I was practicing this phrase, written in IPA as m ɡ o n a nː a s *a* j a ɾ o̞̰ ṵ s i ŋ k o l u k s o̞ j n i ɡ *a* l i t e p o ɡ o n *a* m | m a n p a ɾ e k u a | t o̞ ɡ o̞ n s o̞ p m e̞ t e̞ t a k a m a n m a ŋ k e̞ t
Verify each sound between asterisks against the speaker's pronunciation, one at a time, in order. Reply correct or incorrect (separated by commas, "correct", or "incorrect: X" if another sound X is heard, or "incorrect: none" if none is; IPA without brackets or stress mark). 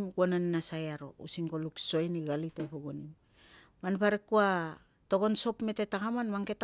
correct, correct, incorrect: i